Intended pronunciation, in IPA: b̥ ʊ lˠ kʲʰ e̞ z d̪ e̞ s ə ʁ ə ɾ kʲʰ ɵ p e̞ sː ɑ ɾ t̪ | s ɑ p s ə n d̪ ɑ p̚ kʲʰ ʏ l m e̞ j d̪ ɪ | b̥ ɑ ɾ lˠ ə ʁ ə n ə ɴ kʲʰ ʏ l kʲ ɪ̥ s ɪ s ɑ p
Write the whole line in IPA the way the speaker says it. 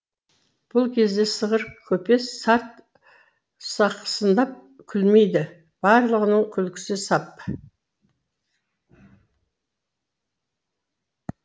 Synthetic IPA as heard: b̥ ʊ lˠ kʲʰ e̞ z d̪ e̞ s ə ʁ ə ɾ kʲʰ ɵ p e̞ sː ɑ ɾ t̪ | s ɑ q s ə n d̪ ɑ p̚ kʲʰ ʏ l m e̞ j d̪ ɪ | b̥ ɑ ɾ lˠ ə ʁ ə n ə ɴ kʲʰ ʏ l kʲ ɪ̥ s ɪ s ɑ p